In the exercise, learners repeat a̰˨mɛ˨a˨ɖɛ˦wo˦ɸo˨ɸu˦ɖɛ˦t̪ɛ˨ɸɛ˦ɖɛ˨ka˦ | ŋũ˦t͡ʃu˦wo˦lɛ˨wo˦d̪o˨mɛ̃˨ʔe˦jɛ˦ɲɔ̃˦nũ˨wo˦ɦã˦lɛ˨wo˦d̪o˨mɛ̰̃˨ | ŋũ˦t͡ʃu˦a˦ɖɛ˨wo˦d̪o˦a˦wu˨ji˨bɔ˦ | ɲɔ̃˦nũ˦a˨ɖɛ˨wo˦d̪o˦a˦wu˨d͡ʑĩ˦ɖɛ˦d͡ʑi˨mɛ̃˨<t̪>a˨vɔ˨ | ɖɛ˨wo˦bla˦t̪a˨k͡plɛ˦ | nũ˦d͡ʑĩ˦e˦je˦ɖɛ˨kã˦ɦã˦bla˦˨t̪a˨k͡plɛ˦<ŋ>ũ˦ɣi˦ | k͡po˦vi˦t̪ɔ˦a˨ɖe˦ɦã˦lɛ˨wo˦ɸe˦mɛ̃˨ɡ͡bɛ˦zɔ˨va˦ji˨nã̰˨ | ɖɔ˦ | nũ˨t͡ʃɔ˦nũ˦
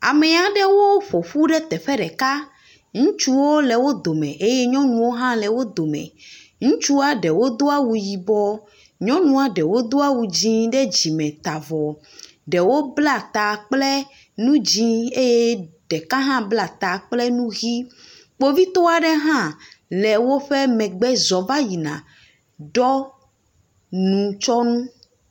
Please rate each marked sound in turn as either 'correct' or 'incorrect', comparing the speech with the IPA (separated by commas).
correct, incorrect